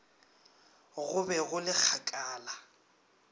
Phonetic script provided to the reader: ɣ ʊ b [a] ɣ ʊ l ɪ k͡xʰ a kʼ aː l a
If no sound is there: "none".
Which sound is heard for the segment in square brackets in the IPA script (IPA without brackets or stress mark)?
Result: ɛ